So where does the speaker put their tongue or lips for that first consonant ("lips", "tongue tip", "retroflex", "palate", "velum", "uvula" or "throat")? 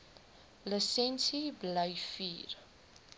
tongue tip